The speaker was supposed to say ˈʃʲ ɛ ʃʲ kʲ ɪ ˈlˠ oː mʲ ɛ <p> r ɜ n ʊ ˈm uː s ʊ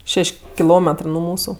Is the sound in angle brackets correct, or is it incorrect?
incorrect